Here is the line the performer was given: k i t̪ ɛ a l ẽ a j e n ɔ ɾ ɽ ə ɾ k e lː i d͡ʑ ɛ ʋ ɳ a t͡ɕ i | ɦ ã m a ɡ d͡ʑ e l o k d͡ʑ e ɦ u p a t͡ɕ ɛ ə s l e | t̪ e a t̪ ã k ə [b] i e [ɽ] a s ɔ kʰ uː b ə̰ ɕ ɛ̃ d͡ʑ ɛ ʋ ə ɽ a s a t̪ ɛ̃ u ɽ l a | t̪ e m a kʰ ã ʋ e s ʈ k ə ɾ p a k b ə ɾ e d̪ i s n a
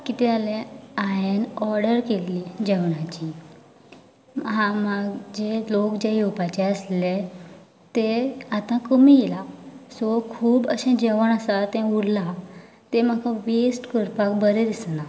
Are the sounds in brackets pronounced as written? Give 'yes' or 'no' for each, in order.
no, no

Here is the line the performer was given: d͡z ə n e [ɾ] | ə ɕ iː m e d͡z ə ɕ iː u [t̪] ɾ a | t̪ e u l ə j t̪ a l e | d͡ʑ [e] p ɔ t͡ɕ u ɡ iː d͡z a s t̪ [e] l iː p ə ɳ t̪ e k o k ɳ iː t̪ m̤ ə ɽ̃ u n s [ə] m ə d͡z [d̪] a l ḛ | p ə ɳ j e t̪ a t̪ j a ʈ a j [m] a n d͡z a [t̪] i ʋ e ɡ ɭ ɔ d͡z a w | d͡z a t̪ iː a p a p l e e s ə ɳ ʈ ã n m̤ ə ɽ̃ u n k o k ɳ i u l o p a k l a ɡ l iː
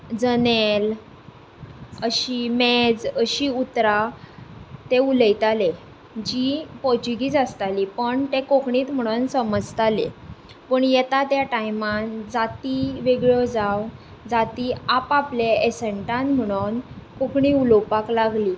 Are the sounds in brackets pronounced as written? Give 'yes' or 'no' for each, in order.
no, yes, no, no, yes, no, yes, yes

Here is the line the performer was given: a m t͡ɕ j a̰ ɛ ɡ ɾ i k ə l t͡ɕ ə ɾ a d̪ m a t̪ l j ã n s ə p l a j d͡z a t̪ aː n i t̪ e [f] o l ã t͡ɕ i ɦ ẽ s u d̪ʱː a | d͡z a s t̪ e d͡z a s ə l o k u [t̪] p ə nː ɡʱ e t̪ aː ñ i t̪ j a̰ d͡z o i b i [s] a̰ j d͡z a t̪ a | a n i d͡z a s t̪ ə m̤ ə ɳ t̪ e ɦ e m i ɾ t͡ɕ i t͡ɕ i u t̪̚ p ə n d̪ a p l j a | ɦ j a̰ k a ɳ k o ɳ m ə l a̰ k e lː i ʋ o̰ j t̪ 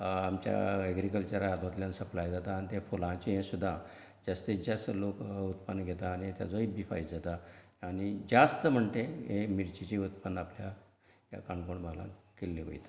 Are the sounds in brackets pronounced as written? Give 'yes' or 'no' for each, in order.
yes, yes, no

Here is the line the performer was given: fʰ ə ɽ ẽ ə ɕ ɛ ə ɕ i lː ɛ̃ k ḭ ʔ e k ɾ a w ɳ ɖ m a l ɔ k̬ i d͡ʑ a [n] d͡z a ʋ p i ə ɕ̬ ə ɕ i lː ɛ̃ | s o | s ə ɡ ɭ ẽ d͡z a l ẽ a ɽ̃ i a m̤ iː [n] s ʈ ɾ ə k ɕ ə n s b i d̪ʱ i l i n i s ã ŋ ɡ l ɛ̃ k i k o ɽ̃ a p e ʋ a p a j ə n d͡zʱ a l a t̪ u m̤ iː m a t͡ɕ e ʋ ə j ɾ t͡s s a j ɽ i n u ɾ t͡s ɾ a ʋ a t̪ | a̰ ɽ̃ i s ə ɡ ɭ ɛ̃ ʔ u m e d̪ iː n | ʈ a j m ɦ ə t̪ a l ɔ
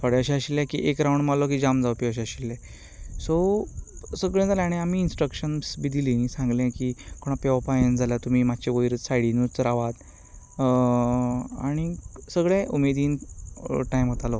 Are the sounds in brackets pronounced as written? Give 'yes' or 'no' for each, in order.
no, yes

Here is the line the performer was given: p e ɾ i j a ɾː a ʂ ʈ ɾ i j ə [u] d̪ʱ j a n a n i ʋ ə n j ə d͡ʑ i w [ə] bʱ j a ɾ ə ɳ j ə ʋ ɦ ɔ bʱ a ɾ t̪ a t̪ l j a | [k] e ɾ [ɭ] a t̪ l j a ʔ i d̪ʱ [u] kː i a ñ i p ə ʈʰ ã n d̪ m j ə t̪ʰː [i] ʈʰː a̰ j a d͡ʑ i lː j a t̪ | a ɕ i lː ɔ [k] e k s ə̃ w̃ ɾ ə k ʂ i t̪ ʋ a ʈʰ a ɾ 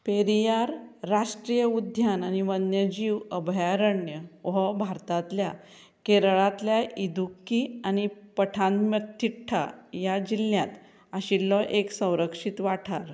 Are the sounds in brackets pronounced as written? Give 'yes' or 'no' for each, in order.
yes, yes, yes, yes, yes, yes, no

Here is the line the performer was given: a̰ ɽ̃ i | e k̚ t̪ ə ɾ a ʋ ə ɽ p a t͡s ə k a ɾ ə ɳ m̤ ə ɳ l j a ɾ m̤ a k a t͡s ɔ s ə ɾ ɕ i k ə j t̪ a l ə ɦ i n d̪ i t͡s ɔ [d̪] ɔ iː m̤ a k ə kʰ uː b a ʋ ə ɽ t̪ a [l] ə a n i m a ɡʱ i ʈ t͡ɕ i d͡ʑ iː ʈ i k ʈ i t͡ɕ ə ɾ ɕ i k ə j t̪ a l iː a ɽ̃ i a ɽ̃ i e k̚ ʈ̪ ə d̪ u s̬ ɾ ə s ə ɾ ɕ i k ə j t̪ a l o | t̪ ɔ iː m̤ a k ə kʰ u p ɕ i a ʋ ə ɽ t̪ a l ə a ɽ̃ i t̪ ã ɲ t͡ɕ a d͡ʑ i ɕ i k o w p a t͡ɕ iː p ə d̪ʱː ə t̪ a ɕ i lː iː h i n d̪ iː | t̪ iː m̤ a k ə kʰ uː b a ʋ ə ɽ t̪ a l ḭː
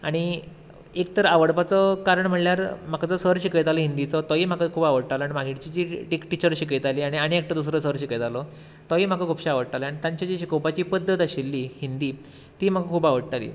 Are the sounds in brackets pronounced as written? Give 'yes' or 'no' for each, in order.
no, yes

